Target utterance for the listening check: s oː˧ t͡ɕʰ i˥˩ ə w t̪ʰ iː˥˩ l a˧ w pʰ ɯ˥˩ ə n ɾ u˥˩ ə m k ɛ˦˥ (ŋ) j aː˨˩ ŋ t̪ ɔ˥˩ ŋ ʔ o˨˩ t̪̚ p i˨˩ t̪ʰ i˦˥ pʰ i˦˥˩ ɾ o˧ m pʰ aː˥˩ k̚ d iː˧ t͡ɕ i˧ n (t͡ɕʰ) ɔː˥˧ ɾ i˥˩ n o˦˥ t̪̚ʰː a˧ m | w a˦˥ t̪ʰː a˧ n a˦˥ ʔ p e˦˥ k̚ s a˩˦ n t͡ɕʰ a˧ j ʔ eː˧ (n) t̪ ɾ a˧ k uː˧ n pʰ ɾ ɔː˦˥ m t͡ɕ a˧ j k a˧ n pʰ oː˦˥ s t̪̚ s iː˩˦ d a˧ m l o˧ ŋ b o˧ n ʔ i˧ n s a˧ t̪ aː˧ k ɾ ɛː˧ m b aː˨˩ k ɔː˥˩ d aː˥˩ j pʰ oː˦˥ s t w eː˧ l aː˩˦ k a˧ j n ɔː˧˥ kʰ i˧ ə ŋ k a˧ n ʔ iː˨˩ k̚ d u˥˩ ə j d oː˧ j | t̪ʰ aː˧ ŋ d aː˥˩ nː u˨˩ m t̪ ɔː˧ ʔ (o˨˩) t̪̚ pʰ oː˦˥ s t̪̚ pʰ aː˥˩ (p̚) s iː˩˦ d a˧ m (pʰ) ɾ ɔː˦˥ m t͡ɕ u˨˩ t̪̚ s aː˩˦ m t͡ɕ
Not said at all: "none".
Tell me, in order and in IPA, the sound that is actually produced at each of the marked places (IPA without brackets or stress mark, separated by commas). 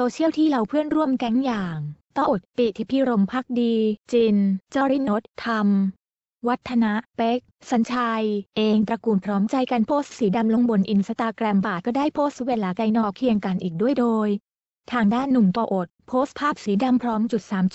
ŋ, t͡ɕ, ŋ, o˨˩, p̚, pʰ